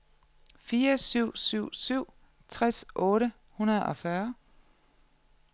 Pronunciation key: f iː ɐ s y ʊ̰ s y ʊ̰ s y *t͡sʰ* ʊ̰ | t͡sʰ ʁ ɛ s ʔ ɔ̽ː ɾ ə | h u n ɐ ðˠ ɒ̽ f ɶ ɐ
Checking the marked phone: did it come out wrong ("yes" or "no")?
yes